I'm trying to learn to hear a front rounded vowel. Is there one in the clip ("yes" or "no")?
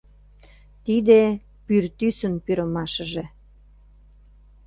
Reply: yes